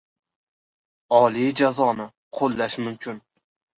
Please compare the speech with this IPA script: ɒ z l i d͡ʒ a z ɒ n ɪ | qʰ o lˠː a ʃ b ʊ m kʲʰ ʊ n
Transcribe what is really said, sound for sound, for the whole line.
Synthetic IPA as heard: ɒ l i d͡ʒ a z ɒ n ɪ | qʰ o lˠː a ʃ m ʊ m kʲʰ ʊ n